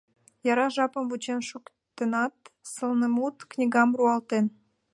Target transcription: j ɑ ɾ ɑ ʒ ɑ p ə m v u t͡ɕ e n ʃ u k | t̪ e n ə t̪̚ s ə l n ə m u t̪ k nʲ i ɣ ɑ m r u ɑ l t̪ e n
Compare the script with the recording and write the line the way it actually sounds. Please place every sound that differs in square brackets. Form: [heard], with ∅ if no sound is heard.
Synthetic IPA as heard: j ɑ ɾ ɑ ʒ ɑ p ə m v u t͡ɕ e n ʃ u k | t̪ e n [ɑ] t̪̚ s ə l n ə m u t̪ k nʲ i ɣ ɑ m r u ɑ l t̪ e n